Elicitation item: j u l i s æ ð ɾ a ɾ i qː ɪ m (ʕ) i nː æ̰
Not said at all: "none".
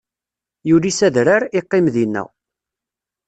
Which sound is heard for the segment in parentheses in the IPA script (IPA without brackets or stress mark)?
ð